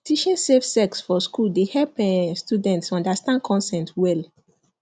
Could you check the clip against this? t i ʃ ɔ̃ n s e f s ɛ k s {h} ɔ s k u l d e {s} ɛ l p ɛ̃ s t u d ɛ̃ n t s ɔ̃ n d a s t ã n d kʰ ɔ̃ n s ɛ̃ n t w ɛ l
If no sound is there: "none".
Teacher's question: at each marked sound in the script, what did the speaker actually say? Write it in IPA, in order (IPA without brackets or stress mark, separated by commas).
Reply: f, h